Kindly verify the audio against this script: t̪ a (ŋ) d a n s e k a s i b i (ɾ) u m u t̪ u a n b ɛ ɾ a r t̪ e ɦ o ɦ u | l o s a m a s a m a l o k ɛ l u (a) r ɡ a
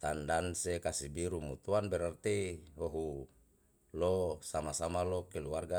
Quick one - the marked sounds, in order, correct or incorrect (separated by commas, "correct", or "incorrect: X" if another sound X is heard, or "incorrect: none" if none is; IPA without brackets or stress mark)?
incorrect: n, correct, correct